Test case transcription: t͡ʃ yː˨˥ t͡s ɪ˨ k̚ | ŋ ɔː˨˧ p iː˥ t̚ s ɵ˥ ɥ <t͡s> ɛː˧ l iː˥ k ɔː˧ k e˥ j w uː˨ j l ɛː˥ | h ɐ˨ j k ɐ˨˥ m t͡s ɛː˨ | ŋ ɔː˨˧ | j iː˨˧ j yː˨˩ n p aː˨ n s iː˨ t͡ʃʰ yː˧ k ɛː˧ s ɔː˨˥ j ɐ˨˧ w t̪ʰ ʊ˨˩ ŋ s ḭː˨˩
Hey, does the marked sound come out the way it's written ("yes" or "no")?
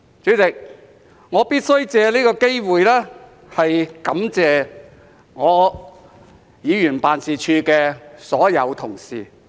yes